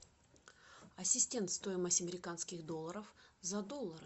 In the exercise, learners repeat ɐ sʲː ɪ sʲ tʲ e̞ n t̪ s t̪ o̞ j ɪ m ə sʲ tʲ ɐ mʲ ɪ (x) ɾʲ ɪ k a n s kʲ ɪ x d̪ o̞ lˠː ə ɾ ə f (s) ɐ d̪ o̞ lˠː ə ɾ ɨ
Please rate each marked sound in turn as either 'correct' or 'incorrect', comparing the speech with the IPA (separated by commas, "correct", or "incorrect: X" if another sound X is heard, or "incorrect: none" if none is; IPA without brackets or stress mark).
incorrect: none, incorrect: z